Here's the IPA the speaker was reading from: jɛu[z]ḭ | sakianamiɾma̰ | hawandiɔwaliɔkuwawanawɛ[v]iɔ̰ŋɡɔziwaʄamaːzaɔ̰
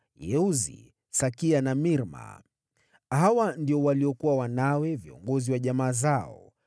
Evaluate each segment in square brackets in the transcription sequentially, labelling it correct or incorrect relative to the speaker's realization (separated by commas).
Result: correct, correct